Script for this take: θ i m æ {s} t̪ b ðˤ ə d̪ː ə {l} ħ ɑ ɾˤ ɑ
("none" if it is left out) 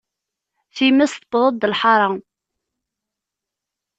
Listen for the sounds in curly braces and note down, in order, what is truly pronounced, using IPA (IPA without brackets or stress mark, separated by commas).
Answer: s, l